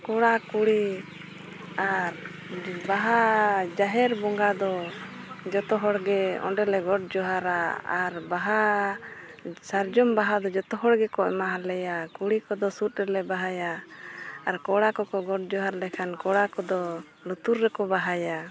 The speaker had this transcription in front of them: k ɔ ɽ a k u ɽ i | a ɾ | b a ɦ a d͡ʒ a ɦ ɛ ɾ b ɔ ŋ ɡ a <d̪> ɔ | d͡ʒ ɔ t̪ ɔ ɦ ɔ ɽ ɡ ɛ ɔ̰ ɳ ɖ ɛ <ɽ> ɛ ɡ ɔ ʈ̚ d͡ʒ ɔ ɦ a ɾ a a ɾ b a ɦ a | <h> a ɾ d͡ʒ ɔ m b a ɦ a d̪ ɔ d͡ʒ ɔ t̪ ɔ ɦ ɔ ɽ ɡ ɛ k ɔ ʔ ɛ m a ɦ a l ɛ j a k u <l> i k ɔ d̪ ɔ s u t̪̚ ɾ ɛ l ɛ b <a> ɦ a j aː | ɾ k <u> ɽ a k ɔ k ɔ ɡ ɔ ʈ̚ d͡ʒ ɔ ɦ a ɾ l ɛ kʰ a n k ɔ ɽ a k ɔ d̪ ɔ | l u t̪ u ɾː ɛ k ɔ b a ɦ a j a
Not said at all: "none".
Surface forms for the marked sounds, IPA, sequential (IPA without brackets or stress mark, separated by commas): d̪, l, s, ɽ, a, ɔ